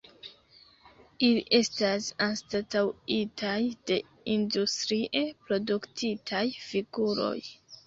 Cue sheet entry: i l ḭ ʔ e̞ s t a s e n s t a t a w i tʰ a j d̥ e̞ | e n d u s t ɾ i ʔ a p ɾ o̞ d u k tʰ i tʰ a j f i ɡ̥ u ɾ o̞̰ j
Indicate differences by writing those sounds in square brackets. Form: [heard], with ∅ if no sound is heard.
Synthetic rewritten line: i l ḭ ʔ e̞ s t a s [a] n s t a t a w i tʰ a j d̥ e̞ | [i] n d u s t ɾ i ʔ [e] p ɾ o̞ d u k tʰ i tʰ a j f i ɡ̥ u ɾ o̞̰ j